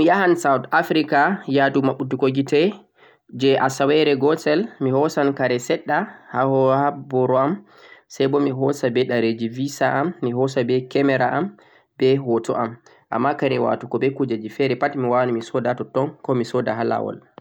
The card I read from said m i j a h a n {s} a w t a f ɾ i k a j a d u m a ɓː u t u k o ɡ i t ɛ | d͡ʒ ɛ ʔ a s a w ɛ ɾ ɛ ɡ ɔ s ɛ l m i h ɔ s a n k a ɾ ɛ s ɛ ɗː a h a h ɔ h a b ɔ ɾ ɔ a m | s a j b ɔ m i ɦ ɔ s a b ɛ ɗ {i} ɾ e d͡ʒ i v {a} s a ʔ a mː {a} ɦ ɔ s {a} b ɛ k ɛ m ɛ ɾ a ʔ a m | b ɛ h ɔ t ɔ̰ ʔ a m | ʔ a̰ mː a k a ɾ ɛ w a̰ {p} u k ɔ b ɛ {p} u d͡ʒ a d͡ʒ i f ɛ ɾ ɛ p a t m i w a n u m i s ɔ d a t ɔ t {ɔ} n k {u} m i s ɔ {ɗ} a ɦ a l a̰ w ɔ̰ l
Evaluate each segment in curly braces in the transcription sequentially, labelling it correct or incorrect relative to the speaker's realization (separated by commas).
correct, incorrect, incorrect, incorrect, correct, incorrect, incorrect, correct, incorrect, incorrect